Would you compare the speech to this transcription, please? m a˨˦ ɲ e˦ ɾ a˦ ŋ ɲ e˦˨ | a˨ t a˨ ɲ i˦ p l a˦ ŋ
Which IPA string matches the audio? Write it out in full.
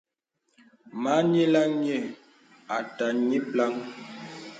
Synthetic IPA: m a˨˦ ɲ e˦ l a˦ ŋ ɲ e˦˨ | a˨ t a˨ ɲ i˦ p l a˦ ŋ